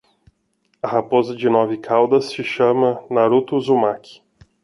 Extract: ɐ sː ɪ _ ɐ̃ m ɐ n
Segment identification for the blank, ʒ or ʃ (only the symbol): ʃ